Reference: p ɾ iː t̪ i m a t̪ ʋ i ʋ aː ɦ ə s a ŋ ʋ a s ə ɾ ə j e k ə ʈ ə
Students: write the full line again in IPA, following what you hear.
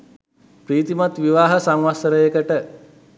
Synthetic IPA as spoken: p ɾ iː t̪ i m a t̪ ʋ i ʋ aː ɦ ə s a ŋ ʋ a s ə ɾ ə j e k ə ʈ ə